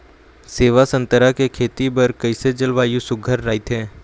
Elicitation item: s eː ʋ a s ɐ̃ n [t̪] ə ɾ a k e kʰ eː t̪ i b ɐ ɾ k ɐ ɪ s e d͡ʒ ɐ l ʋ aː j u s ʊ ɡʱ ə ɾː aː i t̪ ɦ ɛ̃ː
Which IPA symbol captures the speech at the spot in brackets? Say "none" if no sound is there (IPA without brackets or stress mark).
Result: t̪